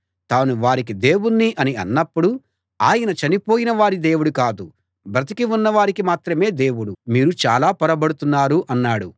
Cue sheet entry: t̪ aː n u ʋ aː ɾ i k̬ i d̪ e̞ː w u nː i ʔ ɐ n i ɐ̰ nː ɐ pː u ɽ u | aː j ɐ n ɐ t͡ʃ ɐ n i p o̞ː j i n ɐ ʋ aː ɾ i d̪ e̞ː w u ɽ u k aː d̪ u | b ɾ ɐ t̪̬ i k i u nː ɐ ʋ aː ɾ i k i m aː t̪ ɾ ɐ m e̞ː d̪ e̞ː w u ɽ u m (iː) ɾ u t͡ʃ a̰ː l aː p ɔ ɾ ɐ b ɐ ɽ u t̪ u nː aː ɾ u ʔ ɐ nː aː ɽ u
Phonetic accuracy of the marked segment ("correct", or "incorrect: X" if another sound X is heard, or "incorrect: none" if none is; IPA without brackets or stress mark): correct